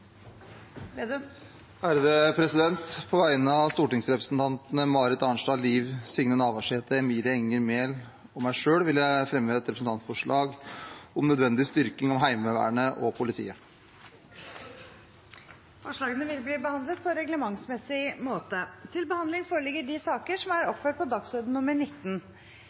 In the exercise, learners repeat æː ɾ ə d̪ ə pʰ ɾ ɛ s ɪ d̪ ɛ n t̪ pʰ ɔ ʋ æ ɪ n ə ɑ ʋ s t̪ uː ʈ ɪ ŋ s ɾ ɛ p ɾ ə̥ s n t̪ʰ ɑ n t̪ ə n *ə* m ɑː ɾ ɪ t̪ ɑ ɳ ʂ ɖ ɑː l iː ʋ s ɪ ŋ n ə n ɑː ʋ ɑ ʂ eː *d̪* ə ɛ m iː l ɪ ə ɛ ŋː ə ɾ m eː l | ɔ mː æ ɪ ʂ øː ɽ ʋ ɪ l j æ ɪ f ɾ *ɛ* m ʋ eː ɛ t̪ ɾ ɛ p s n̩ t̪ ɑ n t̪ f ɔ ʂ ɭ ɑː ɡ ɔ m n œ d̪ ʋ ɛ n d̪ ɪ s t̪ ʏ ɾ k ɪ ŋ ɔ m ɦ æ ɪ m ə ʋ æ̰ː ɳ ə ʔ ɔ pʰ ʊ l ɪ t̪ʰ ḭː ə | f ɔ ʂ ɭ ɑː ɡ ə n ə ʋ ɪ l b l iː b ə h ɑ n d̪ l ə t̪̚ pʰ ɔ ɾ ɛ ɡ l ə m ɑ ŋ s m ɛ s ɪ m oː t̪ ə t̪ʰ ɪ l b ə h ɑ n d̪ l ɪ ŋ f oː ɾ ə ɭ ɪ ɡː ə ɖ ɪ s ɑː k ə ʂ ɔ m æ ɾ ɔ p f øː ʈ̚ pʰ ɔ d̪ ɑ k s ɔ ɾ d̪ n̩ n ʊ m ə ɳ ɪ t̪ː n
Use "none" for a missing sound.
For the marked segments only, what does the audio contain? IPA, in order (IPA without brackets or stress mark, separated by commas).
ə, t̪, ɛ